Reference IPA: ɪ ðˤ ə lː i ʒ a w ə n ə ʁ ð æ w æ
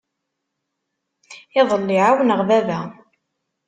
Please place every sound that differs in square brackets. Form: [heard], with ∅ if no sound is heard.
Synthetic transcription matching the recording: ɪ ðˤ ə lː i [ʕ] a w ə n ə ʁ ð æ [v] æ